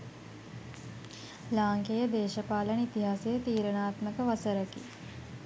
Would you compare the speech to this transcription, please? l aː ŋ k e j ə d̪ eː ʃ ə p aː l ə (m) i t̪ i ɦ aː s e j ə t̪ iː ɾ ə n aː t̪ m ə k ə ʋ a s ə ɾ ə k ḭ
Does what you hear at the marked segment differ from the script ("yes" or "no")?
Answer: yes